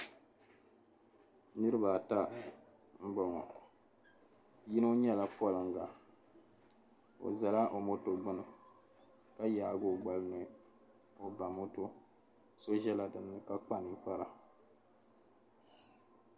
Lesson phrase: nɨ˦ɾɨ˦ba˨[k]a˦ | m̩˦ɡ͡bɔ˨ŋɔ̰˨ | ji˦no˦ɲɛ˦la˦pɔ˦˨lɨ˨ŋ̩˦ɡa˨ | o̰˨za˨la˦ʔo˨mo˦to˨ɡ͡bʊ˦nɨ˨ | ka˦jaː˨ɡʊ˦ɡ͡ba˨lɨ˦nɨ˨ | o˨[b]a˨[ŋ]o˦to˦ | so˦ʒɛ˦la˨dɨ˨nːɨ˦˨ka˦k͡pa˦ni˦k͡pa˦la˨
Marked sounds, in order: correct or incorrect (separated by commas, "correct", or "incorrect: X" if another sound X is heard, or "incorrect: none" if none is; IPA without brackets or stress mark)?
incorrect: t, correct, incorrect: m